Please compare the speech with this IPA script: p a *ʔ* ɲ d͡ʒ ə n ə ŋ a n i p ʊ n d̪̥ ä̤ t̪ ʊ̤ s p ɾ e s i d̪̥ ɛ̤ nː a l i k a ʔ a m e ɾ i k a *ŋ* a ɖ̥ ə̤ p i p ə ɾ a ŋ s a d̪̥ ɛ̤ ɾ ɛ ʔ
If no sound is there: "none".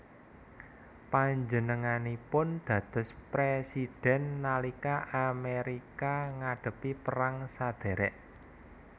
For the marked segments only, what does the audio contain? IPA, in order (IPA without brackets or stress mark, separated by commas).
none, ŋ